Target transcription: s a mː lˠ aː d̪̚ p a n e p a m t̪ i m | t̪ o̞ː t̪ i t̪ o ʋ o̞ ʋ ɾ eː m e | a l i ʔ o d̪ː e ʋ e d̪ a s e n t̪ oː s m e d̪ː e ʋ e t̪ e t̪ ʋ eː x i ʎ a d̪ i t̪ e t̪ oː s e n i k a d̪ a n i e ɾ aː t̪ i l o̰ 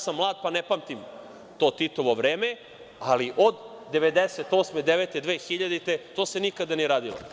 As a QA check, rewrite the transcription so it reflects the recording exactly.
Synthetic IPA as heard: s a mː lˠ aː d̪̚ p a n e p a m t̪ i m | t̪ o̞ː t̪ i t̪ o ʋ o̞ ʋ ɾ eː m e | a l i ʔ o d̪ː e ʋ e d̪ e s e t̪ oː s m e d̪ e ʋ e t̪ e d̪ ʋ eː x i ʎ a d̪ i t̪ e t̪ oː s e n i k a d̪ a n i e ɾ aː d̪ i l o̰